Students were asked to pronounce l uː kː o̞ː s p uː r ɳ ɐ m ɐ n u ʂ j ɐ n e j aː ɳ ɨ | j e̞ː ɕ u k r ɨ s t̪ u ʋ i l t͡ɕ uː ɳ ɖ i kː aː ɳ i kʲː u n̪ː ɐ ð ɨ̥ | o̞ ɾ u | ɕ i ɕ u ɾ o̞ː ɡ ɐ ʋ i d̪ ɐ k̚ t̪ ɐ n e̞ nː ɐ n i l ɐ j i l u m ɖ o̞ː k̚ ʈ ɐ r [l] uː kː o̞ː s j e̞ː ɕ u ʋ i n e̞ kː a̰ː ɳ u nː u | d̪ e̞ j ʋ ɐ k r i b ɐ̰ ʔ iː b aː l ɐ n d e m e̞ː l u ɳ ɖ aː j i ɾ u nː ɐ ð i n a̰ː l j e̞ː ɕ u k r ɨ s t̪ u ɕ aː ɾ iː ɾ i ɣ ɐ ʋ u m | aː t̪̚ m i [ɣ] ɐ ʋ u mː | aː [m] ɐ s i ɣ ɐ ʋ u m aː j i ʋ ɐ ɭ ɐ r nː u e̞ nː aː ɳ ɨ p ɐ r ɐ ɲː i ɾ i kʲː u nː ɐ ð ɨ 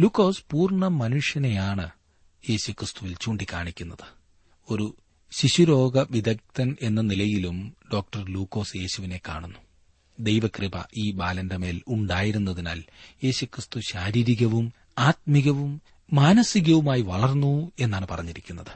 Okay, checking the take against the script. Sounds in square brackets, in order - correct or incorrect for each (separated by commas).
correct, correct, incorrect